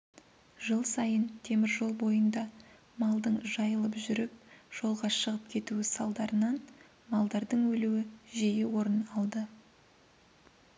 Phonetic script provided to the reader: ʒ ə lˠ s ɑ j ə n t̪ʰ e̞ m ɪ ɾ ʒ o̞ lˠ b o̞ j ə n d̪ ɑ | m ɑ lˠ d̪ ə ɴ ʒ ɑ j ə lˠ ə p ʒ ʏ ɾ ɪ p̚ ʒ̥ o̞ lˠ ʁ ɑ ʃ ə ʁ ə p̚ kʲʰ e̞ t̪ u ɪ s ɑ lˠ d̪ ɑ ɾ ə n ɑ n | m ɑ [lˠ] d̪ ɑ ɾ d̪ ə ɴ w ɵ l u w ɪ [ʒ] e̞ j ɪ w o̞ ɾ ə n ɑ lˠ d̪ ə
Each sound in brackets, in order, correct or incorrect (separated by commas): correct, correct